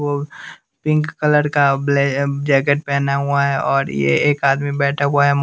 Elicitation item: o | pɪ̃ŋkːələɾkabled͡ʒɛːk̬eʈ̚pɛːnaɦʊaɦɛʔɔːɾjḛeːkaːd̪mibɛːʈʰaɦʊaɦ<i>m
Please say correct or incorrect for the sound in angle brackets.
incorrect